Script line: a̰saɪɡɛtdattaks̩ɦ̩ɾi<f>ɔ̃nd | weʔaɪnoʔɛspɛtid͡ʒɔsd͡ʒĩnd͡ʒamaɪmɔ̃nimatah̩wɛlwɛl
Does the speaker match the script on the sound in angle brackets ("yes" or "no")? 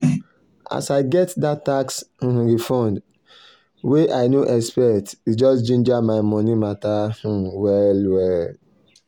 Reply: yes